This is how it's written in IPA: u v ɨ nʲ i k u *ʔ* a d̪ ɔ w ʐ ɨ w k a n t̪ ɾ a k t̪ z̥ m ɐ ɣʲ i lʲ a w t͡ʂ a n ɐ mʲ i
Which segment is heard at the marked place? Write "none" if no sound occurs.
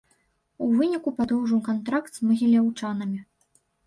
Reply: p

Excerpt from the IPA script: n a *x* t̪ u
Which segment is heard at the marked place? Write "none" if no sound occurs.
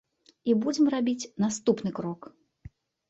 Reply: s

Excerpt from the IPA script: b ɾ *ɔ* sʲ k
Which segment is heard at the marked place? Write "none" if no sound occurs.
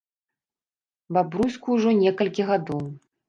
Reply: u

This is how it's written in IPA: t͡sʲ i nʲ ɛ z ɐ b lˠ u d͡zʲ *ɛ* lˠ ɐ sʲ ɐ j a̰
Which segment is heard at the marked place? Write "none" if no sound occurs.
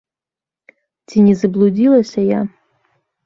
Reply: i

